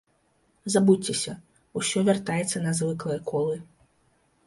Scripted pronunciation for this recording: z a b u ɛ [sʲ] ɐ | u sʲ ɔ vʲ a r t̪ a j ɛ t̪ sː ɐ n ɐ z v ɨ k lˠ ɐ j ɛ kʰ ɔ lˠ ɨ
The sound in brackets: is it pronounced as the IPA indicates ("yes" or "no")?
yes